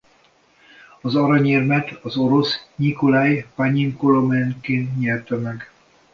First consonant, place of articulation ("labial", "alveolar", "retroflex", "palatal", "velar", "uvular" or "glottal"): alveolar